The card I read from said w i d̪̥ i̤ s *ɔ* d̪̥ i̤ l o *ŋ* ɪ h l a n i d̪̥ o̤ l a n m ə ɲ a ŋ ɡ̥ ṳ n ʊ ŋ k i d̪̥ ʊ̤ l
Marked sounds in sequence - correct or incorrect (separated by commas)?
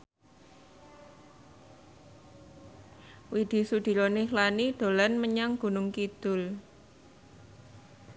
incorrect, incorrect